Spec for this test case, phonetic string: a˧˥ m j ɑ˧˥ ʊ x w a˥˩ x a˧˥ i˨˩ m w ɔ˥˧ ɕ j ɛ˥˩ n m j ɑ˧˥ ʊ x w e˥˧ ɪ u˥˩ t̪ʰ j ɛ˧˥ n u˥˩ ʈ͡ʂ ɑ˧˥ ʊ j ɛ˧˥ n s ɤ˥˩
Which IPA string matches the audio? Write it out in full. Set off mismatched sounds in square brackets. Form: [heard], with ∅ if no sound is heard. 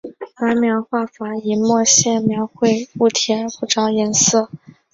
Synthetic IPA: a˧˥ m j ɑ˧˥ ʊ x w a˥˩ [f] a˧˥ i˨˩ m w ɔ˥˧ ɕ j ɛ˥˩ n m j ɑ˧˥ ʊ x w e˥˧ ɪ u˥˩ t̪ʰ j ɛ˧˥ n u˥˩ ʈ͡ʂ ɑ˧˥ ʊ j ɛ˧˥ n s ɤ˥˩